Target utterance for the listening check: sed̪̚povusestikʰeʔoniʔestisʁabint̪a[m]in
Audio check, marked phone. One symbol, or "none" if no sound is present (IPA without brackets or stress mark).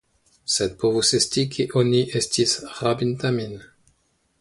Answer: m